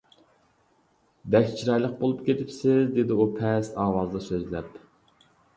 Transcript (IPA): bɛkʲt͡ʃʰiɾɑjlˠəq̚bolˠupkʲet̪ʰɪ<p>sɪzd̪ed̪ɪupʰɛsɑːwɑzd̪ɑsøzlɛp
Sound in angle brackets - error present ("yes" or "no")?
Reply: no